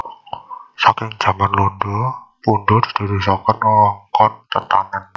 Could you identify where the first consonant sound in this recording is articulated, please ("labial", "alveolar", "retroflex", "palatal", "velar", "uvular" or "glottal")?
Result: alveolar